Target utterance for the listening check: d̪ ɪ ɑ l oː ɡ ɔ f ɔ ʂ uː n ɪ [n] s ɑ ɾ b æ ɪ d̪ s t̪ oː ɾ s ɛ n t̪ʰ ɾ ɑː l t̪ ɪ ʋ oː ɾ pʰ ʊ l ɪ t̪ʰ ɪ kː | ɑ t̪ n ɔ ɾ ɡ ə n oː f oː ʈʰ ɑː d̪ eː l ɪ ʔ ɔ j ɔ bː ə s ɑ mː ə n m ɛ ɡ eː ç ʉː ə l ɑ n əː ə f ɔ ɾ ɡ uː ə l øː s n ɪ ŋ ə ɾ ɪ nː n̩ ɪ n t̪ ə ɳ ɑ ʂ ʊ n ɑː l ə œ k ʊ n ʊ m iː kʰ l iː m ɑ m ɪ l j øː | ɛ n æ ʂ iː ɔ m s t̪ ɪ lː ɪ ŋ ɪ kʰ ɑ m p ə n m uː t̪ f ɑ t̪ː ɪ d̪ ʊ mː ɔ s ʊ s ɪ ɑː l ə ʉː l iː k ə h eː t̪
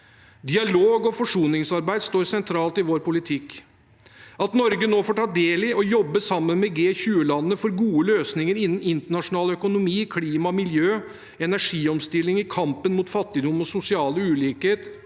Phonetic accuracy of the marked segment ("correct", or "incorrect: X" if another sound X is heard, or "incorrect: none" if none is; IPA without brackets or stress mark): incorrect: ŋ